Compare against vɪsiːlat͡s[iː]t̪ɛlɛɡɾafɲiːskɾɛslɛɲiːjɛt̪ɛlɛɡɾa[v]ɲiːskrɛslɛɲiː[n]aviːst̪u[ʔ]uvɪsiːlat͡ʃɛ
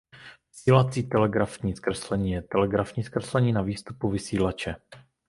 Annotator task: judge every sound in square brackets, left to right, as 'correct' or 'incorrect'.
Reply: correct, incorrect, correct, incorrect

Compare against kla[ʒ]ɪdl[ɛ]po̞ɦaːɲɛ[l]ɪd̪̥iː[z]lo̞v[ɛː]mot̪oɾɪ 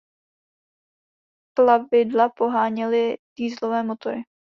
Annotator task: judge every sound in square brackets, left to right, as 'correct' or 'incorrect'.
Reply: incorrect, incorrect, correct, correct, correct

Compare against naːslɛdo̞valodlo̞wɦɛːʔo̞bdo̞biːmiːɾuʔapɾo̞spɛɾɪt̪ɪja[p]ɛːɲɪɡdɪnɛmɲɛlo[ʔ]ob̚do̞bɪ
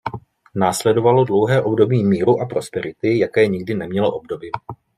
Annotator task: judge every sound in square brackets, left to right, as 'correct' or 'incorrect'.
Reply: incorrect, correct

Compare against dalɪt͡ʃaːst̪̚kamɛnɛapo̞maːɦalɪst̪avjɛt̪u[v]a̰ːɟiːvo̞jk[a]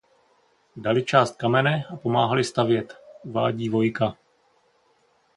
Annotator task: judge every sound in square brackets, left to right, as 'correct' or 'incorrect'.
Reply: correct, correct

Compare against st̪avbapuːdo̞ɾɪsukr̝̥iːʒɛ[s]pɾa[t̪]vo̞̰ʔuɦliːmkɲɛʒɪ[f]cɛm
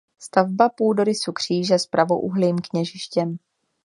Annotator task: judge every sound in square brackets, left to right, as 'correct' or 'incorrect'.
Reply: correct, incorrect, incorrect

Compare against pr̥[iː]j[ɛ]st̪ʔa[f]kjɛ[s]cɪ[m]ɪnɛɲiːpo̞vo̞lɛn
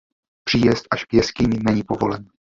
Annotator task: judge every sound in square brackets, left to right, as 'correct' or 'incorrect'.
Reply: correct, correct, incorrect, correct, incorrect

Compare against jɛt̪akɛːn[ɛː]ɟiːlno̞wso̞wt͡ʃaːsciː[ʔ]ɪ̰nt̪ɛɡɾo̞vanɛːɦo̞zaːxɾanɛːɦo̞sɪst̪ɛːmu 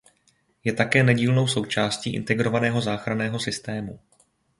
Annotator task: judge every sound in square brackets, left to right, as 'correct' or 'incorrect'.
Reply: incorrect, correct

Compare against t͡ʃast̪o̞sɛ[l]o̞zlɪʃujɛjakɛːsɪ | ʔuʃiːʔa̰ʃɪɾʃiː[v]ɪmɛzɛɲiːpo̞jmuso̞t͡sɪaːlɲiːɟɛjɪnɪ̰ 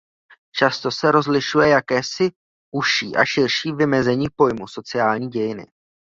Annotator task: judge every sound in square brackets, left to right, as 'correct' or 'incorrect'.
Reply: incorrect, correct

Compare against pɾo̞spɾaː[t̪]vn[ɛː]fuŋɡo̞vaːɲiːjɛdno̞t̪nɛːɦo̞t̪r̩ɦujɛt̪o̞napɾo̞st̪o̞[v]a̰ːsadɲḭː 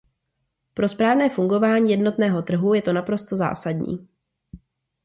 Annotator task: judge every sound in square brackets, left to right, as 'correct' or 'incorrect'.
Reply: incorrect, correct, incorrect

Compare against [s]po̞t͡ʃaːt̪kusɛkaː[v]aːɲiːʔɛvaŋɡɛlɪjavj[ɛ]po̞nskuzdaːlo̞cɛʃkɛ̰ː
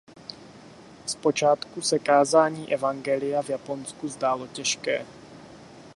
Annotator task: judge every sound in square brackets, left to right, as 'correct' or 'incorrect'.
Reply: correct, incorrect, incorrect

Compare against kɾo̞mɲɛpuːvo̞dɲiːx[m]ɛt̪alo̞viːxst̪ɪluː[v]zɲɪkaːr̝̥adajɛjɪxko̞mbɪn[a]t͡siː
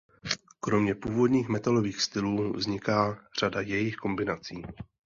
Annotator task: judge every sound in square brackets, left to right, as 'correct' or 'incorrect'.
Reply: correct, correct, correct

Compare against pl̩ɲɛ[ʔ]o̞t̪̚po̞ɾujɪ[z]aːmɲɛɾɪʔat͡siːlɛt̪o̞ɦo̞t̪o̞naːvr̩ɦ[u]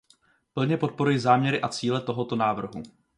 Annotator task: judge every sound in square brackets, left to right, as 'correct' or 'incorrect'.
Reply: incorrect, correct, correct

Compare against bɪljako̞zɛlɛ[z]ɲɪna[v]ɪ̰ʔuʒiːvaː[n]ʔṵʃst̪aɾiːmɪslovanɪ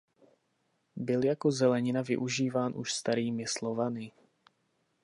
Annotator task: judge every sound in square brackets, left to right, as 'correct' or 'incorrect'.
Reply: incorrect, correct, correct

